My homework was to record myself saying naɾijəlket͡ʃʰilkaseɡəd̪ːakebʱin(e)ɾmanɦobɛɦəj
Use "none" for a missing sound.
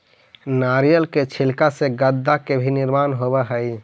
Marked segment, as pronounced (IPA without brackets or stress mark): i